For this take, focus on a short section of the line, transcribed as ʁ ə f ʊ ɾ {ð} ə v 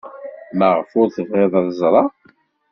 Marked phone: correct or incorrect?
incorrect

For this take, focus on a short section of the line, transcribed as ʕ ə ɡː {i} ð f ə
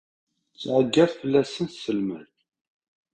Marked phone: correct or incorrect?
incorrect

